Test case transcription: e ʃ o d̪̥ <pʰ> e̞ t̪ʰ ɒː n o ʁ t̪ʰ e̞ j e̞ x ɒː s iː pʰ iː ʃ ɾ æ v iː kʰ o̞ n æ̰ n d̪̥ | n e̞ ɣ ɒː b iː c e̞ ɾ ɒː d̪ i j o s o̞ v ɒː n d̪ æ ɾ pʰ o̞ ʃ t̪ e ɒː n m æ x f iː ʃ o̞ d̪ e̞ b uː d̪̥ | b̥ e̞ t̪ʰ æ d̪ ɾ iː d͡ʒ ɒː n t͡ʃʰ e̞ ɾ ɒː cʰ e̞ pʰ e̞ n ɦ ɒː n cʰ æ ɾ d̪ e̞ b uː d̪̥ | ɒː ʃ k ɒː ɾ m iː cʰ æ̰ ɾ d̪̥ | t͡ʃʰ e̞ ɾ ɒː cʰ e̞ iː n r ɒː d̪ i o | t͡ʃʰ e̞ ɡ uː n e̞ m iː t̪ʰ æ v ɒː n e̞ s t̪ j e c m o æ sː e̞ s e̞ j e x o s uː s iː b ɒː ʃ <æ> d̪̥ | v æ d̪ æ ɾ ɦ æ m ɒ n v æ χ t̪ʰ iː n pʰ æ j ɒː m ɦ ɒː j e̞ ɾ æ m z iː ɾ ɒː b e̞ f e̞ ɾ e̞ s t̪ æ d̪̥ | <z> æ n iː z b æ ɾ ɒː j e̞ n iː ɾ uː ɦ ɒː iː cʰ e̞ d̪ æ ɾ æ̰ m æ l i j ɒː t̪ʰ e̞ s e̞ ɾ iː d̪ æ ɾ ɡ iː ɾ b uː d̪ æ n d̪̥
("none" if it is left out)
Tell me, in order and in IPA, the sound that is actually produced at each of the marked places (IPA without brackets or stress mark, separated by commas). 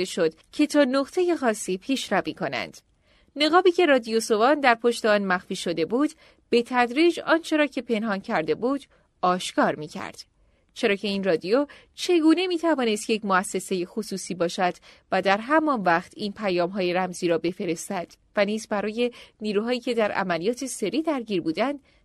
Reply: cʰ, æ, v